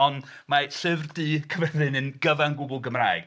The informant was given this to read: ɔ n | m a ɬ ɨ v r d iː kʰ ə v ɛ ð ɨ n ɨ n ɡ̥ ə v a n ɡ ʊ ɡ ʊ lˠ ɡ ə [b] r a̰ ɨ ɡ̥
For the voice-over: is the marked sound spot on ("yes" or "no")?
no